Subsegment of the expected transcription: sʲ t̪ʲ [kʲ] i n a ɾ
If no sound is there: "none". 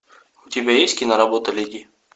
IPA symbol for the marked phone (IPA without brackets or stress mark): kʲ